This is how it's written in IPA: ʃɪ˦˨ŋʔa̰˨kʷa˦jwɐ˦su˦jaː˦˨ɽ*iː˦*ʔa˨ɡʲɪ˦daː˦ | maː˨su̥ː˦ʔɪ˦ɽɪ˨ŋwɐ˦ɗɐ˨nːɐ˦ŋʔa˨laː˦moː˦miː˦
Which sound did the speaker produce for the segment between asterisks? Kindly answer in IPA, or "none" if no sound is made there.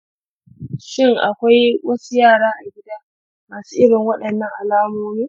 aː˦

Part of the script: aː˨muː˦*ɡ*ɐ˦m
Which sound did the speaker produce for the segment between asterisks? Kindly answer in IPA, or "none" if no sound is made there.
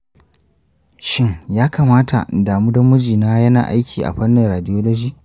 d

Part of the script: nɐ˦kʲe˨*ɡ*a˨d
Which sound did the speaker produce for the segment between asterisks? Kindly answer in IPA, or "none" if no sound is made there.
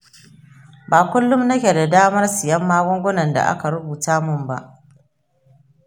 d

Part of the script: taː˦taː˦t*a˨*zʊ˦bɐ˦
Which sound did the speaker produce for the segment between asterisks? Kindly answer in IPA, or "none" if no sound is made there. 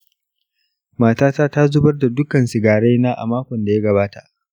a˦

